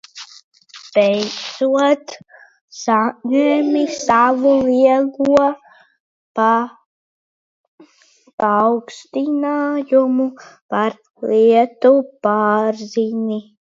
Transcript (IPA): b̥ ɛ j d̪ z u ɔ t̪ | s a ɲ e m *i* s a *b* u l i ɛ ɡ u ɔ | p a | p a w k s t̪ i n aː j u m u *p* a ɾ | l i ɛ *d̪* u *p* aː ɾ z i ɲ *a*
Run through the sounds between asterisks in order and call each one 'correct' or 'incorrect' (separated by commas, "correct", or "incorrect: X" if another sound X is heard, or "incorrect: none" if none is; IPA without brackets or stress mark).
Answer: correct, incorrect: v, correct, incorrect: t̪, correct, incorrect: i